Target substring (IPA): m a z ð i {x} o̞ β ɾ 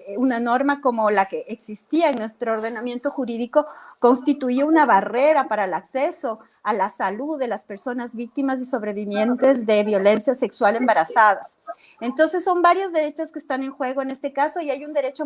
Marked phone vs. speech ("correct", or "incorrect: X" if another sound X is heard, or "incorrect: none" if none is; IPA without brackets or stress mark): incorrect: s